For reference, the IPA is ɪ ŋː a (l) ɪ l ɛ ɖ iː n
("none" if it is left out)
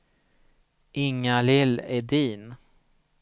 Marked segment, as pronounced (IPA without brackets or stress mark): l